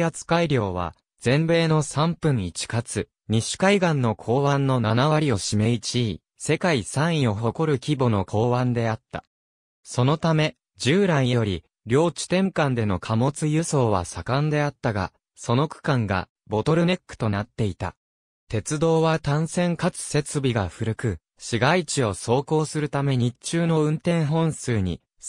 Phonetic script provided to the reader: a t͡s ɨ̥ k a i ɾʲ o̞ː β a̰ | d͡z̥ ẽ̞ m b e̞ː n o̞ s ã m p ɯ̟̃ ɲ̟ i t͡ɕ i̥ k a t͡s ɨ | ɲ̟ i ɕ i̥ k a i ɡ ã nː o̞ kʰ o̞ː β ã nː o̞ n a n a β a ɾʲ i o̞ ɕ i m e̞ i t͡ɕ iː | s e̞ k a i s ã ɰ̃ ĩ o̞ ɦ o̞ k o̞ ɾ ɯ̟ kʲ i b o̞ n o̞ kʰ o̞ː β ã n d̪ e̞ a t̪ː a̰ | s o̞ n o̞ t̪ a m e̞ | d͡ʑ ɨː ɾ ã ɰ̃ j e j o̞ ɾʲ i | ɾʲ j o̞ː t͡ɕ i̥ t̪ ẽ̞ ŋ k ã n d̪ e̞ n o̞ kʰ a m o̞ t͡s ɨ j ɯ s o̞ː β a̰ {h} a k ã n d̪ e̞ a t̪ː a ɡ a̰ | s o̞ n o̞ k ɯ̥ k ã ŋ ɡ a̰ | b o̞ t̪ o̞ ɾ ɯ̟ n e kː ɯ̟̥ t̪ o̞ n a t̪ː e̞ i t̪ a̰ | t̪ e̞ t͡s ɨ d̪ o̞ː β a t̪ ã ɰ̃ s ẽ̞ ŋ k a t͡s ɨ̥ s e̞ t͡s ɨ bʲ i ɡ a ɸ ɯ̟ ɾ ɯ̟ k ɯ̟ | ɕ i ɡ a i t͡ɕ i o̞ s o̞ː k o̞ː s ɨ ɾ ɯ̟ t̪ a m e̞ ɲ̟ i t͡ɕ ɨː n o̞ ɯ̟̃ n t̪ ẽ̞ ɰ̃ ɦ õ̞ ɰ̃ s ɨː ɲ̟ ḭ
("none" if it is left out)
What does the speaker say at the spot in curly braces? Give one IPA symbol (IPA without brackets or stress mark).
s